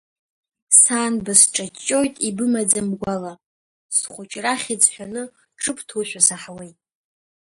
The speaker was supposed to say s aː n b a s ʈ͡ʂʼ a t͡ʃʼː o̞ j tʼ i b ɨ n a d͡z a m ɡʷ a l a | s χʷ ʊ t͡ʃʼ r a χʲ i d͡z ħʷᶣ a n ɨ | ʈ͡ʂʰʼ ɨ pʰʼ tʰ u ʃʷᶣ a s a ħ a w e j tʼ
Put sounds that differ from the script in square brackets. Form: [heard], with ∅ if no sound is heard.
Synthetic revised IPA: s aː n b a s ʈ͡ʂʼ a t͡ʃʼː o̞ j tʼ i b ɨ [m] a d͡z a m ɡʷ a l a | s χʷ ʊ t͡ʃʼ r a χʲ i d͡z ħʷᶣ a n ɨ | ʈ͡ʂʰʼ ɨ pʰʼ tʰ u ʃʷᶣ a s a ħ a w e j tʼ